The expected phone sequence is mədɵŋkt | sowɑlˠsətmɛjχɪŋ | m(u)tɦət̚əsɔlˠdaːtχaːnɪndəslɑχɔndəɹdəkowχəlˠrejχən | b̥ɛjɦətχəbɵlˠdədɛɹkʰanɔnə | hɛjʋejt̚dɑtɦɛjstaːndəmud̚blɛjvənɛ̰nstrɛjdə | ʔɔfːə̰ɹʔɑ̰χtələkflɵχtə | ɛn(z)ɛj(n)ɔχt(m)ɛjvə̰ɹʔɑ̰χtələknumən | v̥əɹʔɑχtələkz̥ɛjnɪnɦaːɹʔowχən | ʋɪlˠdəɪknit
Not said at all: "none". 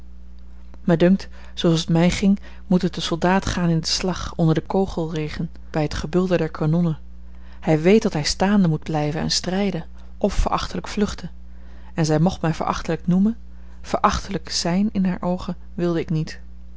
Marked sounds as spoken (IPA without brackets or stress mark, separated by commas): u, z, m, m